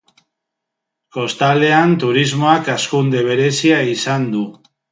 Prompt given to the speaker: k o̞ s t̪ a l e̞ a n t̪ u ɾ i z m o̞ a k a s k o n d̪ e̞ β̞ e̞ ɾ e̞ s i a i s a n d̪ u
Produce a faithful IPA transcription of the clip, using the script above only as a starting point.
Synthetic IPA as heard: k o̞ s t̪ a l e̞ a n t̪ u ɾ i z m o̞ a k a s k u n d̪ e̞ β̞ e̞ ɾ e̞ s i a i s a n d̪ u